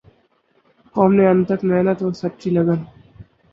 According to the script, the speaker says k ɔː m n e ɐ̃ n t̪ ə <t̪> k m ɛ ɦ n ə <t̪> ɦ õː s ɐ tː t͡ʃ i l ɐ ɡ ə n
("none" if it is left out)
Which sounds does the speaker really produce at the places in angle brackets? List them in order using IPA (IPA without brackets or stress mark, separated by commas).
none, t̪